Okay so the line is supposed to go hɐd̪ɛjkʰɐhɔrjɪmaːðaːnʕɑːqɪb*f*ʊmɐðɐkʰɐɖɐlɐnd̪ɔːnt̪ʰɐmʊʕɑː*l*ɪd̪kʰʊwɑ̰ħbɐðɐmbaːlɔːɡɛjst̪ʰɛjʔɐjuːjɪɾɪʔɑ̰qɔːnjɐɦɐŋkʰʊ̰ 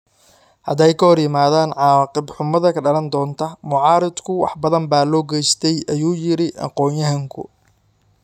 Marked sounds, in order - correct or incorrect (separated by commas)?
incorrect, incorrect